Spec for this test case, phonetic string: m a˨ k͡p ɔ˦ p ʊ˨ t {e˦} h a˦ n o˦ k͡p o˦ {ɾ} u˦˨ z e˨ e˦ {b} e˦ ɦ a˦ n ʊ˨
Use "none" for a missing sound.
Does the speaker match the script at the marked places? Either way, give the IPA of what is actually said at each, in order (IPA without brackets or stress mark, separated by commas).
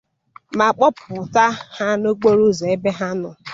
a˦, ɾ, b